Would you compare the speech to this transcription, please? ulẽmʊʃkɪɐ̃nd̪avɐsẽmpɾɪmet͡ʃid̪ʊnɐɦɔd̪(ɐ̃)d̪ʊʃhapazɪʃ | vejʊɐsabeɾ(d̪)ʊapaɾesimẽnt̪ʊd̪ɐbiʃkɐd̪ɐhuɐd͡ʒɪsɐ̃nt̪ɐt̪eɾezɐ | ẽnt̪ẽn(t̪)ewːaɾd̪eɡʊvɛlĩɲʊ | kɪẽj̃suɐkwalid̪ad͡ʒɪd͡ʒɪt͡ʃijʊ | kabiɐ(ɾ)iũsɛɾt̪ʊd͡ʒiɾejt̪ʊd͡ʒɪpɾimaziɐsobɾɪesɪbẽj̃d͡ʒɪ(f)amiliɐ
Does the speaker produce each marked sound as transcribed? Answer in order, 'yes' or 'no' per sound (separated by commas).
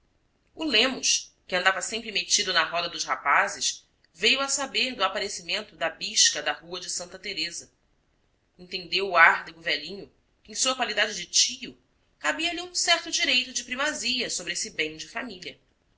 no, yes, no, no, yes